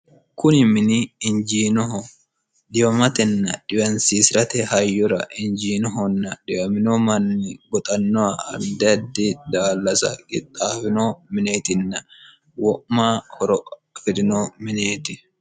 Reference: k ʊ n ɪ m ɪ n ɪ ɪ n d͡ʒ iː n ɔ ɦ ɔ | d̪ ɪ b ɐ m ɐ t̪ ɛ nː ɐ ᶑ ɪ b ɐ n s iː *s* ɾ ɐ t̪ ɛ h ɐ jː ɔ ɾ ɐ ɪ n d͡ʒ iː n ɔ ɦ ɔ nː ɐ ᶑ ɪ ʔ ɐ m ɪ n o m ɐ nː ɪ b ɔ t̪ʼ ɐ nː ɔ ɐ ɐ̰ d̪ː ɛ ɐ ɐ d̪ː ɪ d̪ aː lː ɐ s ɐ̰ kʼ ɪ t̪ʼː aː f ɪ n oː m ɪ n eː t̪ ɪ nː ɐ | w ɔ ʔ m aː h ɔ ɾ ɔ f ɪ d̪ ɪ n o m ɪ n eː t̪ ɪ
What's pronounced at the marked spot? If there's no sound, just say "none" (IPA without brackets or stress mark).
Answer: s